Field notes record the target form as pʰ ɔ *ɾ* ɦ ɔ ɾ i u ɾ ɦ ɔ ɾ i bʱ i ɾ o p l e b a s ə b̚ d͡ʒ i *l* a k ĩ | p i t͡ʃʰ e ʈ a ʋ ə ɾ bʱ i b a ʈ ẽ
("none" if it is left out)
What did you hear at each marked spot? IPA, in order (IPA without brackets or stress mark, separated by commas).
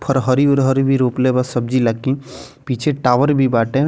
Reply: ɾ, l